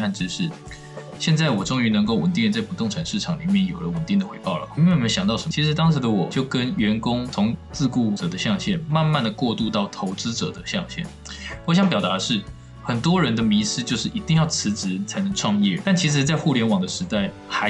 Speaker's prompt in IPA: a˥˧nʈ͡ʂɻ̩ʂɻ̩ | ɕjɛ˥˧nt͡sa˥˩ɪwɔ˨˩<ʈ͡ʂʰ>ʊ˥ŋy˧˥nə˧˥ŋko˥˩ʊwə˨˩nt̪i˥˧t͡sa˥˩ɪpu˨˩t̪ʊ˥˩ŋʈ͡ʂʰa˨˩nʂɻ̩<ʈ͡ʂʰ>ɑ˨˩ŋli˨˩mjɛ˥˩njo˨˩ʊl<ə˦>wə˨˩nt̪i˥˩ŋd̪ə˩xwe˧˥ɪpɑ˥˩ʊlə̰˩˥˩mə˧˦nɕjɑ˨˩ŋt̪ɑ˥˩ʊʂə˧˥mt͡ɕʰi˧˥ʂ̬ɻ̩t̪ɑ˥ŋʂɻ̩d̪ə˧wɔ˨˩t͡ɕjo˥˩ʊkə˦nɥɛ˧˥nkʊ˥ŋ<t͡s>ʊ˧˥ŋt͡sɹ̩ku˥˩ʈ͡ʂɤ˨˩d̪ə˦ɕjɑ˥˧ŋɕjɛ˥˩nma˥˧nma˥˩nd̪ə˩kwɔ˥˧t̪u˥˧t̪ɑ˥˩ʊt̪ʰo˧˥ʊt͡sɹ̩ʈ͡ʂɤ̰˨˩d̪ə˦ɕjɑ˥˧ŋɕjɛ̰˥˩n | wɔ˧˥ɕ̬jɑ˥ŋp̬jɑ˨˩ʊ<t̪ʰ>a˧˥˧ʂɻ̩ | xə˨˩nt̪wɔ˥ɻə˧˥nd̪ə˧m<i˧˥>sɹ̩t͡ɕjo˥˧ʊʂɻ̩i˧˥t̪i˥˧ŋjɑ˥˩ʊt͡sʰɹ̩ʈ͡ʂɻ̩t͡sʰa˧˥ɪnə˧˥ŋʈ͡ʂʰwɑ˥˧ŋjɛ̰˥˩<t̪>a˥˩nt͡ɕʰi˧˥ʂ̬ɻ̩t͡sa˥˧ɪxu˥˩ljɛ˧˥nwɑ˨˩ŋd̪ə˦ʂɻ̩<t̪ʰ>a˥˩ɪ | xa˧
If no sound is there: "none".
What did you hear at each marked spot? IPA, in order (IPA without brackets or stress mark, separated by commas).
ʈ͡ʂ, ʈ͡ʂʰ, ə˦, t͡sʰ, t̪, i˧˥, t̪, t̪